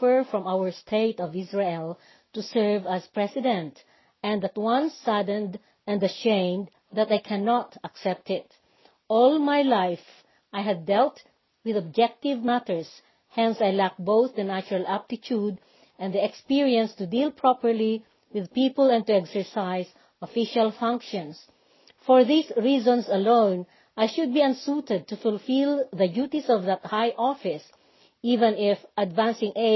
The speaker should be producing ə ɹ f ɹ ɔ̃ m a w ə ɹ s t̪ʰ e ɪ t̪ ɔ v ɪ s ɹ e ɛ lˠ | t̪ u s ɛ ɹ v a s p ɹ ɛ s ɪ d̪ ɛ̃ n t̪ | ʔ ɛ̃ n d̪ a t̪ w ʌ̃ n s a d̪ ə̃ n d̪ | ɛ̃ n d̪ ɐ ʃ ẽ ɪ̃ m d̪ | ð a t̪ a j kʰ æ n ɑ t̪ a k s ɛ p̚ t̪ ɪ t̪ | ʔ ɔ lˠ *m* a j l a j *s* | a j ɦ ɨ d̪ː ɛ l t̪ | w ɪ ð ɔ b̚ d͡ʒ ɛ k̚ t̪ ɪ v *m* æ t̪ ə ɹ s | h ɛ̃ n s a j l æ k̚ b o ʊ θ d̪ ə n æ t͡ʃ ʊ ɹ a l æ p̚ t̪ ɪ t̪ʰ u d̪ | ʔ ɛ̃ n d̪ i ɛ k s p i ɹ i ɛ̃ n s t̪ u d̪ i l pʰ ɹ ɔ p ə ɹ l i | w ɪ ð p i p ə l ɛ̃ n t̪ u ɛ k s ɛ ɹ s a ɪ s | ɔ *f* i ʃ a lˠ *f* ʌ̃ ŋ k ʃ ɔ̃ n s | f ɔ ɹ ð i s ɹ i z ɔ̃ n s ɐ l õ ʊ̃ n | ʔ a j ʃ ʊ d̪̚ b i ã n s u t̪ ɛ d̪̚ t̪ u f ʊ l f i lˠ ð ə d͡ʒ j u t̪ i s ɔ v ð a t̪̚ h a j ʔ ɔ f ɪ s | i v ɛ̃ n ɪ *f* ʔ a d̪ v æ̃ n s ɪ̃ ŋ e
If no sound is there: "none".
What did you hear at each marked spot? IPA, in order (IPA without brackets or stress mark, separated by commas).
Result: m, f, m, f, f, f